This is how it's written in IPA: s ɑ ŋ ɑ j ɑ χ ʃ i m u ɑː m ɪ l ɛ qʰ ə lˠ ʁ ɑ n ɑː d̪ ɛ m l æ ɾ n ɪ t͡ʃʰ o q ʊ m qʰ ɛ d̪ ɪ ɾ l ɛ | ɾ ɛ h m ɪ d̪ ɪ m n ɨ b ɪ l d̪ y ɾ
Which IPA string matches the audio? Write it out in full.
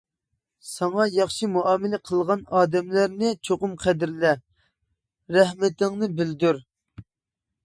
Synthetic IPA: s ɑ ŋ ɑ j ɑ χ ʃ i m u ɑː m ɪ l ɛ qʰ ə lˠ ʁ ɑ n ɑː d̪ ɛ m l æ ɾ n ɪ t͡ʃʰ o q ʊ m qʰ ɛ d̪ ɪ ɾ l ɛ | ɾ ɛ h m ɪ t̪ ɪ ŋ n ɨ b ɪ l d̪ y ɾ